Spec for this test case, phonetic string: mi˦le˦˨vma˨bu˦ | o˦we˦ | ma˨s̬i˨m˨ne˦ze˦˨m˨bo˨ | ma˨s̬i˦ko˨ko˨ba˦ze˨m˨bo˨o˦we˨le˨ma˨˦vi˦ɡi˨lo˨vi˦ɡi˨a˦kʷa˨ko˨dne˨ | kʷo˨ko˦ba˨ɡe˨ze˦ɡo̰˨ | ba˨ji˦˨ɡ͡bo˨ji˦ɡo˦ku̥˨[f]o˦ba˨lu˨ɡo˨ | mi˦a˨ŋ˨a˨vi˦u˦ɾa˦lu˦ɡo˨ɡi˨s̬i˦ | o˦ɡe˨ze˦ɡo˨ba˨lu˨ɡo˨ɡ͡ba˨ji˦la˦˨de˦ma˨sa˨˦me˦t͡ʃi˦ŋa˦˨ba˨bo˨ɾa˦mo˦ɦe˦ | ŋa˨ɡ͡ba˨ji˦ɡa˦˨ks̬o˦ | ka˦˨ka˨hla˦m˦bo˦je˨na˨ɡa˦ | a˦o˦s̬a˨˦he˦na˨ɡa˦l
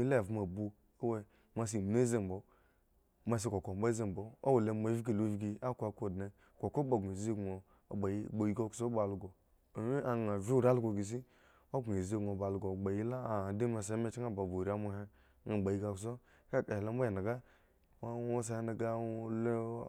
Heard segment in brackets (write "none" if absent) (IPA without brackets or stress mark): s